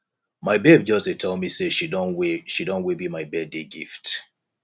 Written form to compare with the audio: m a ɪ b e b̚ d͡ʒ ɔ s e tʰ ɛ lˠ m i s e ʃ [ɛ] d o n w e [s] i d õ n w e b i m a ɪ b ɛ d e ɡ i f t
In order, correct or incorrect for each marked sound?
incorrect: i, incorrect: ʃ

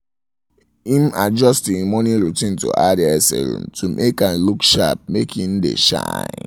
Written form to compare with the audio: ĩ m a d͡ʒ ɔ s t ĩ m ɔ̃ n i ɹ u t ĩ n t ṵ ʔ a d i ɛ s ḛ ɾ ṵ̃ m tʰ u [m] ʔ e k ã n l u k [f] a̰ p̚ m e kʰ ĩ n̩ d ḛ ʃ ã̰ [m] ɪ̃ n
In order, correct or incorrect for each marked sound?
correct, incorrect: ʃ, incorrect: none

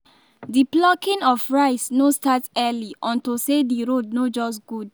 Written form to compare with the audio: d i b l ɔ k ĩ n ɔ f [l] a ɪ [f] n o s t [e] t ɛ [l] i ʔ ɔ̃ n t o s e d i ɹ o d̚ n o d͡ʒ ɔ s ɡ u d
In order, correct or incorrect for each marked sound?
incorrect: ɹ, incorrect: s, incorrect: a, correct

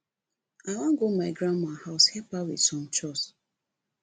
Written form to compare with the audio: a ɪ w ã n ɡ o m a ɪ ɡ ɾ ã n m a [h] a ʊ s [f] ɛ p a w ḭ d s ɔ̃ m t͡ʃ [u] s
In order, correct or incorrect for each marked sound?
correct, incorrect: h, incorrect: ɔ

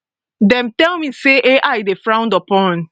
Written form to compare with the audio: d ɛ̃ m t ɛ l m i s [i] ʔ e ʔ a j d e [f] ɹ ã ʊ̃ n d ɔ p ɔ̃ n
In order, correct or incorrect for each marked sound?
incorrect: e, correct

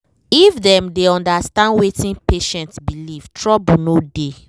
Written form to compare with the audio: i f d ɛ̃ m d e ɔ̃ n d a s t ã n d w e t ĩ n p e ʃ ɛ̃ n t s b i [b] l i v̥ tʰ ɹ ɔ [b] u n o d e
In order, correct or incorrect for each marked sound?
incorrect: none, correct

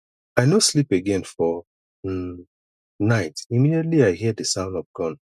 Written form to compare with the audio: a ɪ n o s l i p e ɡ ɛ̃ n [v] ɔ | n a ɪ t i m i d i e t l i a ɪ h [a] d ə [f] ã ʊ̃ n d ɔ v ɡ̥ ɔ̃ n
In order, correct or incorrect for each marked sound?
incorrect: f, incorrect: i, incorrect: s

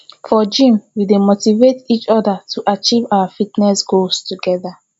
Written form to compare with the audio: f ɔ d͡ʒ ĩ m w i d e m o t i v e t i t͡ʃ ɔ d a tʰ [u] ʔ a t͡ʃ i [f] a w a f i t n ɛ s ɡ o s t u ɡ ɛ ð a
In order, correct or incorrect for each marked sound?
correct, incorrect: v

